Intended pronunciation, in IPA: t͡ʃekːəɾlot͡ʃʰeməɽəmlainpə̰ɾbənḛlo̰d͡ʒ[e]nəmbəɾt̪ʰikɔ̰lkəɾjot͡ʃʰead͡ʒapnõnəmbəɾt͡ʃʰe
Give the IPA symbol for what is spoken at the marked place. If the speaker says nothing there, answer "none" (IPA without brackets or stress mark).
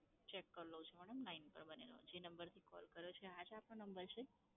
e